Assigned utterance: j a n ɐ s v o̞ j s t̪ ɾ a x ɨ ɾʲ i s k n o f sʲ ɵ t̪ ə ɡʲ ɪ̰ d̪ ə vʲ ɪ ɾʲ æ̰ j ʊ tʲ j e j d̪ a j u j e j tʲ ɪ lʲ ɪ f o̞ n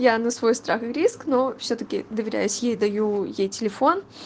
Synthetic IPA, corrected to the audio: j a n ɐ s v o̞ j s t̪ ɾ a x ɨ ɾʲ i s k n o f sʲ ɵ t̪ ə kʲ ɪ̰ d̪ ə vʲ ɪ ɾʲ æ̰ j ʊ sʲ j e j d̪ ɐ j u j e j tʲ ɪ lʲ ɪ f o̞ n